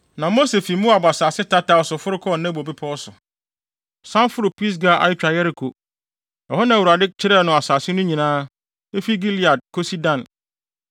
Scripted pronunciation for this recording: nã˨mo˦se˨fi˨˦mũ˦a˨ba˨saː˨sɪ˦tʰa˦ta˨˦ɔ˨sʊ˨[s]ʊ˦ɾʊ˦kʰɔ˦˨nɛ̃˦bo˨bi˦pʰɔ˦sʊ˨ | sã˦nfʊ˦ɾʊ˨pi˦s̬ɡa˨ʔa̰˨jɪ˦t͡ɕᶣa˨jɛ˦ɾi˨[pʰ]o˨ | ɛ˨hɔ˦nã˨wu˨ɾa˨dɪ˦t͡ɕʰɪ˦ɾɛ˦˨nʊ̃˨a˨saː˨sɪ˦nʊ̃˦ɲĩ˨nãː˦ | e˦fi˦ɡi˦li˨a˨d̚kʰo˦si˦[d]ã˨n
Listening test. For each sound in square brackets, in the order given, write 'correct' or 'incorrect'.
incorrect, incorrect, correct

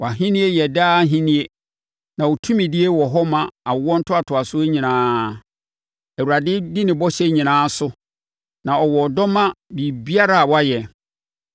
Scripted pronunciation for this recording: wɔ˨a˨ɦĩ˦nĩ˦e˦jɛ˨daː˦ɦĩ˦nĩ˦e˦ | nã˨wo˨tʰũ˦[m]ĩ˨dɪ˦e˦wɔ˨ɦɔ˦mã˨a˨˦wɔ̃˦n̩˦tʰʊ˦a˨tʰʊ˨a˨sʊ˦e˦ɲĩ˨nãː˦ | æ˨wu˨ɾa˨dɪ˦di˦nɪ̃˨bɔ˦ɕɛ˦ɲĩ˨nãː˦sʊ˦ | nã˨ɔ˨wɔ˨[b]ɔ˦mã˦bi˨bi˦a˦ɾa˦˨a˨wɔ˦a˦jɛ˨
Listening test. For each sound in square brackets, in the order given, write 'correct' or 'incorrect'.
correct, incorrect

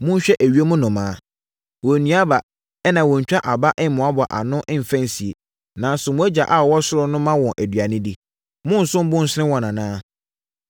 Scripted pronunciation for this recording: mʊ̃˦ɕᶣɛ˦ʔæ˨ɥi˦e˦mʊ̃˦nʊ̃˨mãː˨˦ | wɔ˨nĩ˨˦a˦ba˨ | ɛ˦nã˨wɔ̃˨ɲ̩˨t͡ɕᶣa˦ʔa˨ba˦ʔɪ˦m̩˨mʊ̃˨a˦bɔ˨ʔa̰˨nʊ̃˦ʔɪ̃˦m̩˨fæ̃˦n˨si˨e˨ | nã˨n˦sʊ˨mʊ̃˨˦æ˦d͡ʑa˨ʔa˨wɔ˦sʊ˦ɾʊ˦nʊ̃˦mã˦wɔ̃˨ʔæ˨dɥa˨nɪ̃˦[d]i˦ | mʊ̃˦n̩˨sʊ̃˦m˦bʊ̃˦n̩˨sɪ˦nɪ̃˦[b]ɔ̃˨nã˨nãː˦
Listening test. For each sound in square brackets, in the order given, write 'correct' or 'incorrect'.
correct, incorrect

